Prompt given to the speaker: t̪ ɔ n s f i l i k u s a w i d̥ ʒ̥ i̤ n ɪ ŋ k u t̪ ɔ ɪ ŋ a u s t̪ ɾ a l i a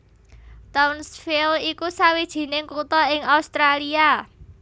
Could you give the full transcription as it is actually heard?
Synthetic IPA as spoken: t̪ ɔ n s f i l i k u s a w i d̥ ʒ̥ i̤ n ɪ ŋ k u t̪ ɔ ɪ ŋ a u s t̪ ɾ a l i a